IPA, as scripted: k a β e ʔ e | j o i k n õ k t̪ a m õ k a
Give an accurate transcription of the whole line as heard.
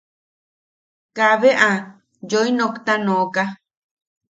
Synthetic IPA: k a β e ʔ a | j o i n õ k t̪ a n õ k a